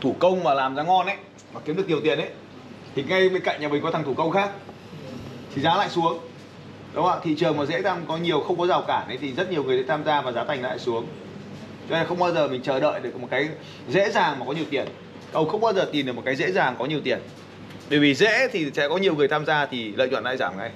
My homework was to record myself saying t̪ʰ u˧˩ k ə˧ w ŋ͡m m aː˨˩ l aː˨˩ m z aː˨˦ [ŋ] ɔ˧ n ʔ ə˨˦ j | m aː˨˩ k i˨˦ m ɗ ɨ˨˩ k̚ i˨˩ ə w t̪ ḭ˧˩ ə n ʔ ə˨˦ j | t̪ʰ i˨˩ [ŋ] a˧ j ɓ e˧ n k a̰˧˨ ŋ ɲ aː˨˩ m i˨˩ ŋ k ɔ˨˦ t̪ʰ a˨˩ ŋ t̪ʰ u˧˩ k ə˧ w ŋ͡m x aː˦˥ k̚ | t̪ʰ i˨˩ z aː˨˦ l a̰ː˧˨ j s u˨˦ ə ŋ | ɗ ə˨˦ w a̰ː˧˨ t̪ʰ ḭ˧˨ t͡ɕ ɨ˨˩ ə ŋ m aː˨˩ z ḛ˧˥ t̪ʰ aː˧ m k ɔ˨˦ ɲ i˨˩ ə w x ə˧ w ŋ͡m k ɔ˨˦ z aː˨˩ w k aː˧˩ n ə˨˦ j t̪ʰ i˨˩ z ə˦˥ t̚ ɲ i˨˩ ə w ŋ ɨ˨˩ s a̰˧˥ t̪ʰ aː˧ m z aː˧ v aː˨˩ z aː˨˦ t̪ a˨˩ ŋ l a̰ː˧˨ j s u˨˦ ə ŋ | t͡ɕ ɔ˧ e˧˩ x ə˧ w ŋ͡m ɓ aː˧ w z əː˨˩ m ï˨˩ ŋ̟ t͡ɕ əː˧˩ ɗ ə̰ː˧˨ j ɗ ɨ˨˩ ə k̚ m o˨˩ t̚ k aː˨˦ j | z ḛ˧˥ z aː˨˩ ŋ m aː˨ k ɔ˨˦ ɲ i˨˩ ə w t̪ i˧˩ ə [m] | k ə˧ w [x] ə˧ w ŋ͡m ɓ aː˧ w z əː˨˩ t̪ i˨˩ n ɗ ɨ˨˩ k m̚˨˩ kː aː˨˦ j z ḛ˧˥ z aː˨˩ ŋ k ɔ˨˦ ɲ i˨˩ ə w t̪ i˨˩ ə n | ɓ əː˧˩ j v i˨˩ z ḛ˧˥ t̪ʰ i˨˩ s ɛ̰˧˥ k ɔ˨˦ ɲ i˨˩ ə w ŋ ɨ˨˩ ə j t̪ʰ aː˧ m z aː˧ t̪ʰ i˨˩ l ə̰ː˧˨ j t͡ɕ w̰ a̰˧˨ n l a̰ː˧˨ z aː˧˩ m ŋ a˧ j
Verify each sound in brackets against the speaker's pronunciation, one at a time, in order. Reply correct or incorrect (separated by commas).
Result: correct, correct, incorrect, correct